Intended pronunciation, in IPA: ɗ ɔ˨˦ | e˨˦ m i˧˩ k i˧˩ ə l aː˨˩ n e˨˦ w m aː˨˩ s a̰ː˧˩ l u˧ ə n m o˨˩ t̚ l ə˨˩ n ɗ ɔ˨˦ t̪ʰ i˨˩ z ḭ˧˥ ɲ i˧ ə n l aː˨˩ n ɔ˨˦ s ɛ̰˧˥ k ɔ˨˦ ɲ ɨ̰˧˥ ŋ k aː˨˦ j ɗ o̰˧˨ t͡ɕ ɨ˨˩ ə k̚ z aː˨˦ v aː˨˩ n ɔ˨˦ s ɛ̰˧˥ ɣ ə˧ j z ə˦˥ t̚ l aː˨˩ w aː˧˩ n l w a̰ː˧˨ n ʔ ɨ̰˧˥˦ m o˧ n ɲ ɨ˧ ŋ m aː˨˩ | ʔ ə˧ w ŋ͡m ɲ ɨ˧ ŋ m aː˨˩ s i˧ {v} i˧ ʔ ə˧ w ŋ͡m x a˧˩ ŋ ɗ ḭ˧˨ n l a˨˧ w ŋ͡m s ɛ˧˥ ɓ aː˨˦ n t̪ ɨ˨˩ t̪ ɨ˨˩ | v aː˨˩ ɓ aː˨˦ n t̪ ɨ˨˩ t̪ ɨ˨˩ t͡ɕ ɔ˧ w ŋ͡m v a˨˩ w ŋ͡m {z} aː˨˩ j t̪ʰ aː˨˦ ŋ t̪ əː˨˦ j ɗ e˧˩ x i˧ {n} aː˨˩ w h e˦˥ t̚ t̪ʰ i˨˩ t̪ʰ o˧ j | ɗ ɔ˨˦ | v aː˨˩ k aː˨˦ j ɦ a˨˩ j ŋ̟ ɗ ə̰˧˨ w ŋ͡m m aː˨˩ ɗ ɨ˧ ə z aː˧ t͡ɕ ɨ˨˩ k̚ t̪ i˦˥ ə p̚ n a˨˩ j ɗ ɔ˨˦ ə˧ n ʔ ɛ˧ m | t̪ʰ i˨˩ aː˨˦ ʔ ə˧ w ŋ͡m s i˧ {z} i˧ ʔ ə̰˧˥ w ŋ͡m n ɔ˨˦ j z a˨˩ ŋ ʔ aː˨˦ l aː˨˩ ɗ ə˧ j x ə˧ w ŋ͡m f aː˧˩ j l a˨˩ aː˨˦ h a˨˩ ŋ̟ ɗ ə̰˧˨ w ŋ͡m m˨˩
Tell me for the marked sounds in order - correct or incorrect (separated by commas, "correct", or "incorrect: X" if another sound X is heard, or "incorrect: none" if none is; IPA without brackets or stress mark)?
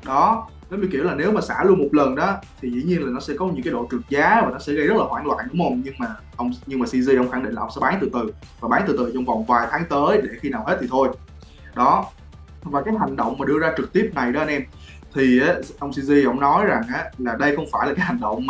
incorrect: z, incorrect: v, correct, correct